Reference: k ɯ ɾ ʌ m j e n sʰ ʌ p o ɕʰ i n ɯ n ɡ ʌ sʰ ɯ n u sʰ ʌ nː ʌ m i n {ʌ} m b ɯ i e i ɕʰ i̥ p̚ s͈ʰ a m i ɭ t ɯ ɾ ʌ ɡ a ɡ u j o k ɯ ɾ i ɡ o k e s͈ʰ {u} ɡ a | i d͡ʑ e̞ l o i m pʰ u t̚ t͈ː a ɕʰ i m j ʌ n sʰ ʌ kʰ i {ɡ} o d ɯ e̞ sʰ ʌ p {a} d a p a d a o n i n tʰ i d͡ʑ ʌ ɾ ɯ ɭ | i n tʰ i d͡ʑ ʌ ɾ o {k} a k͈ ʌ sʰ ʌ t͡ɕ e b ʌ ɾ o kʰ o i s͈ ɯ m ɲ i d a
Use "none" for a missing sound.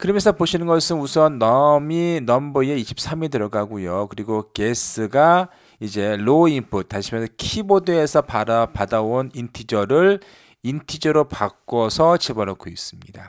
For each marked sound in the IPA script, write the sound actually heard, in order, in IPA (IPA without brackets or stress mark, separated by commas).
ʌ, ɯ, b, a, p